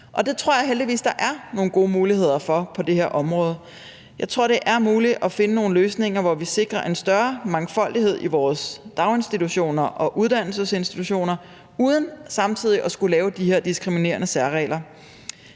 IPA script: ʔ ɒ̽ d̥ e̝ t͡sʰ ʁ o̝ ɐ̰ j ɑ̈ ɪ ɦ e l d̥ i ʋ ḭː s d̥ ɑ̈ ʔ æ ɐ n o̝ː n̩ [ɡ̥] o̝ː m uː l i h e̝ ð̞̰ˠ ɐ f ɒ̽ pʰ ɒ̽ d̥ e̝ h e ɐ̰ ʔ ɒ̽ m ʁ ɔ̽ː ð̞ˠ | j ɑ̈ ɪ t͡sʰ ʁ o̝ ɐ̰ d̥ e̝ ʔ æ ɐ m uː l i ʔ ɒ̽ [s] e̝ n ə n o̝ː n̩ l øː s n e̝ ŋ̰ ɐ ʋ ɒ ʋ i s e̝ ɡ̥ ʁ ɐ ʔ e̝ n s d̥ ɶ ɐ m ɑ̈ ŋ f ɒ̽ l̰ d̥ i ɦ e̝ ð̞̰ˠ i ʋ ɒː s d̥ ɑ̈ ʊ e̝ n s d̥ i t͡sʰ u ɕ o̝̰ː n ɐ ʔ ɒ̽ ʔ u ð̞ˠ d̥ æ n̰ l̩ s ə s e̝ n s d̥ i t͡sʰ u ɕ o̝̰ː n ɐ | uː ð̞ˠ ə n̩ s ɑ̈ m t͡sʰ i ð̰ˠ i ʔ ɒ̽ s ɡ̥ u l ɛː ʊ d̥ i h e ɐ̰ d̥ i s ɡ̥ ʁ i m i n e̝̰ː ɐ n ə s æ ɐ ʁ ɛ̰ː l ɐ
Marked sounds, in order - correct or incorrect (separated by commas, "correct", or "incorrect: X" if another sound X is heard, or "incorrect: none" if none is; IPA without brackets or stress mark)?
correct, incorrect: f